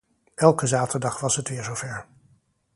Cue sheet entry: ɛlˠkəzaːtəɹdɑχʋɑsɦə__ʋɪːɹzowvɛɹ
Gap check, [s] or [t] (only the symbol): t